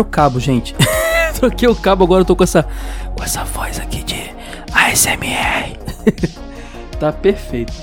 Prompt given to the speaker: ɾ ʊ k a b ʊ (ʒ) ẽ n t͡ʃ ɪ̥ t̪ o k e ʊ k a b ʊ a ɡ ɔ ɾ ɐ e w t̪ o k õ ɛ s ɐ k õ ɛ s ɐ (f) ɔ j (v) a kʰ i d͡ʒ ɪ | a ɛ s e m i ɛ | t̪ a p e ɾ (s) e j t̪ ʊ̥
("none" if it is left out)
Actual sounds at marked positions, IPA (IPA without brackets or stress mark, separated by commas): ʒ, v, z, f